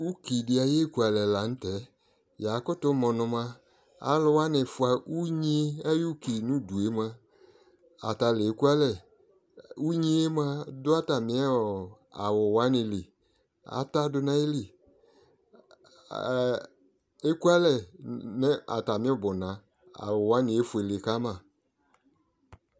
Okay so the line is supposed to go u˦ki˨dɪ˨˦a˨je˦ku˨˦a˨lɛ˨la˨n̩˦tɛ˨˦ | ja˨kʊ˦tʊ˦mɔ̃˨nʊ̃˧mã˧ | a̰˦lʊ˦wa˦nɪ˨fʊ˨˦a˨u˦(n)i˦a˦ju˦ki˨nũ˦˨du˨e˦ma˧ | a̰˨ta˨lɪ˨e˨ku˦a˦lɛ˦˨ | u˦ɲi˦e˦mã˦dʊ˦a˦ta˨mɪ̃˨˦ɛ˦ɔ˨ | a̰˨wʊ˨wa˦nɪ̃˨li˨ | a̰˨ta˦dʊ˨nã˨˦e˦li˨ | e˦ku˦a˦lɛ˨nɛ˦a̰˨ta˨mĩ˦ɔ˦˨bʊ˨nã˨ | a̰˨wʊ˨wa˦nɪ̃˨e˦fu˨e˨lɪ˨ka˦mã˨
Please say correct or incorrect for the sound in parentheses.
incorrect